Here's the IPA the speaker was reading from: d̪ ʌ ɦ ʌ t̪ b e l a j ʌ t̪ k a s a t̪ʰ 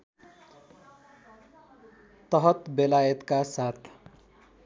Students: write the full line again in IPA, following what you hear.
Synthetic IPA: t̪ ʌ ɦ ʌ t̪ b e l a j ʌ t̪ k a s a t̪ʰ